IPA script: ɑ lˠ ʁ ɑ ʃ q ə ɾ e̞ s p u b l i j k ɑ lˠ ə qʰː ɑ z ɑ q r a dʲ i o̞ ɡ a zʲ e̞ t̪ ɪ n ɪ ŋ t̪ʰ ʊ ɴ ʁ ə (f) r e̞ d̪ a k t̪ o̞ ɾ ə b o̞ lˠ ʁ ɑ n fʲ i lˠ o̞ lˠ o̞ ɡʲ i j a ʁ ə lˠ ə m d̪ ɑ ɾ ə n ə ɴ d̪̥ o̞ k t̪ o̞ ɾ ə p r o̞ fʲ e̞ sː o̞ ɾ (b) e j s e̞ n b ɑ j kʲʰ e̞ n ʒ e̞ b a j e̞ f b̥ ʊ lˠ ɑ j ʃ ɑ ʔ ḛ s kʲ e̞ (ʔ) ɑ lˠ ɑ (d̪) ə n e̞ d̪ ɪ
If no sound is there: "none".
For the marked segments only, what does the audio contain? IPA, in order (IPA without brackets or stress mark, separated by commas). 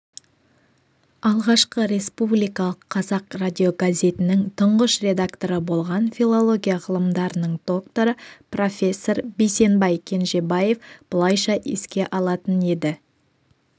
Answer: ʃ, b, ʔ, t̪